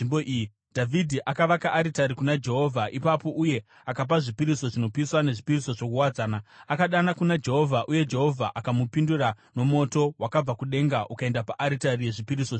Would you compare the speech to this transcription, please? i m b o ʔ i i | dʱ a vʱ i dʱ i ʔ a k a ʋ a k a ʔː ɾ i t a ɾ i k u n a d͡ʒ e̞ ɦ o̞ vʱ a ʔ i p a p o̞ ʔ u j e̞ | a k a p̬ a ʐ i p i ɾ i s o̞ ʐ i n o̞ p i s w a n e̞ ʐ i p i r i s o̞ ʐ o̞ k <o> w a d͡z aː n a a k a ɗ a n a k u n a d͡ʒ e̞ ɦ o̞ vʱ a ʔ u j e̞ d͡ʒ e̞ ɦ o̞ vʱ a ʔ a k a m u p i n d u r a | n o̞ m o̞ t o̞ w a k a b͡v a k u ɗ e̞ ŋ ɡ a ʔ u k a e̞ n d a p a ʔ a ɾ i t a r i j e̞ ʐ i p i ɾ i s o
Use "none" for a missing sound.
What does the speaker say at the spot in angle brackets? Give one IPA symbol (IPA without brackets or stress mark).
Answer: u